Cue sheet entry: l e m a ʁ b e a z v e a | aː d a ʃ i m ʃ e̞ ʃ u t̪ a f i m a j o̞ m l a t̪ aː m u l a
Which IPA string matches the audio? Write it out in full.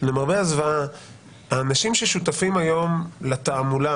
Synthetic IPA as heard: l e m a ʁ b e a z v a a | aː n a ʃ i m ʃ e̞ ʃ u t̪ a f i m a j o̞ m l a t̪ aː m u l a